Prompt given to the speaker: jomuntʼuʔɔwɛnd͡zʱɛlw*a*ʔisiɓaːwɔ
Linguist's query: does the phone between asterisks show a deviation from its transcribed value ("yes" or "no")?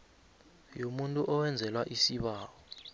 no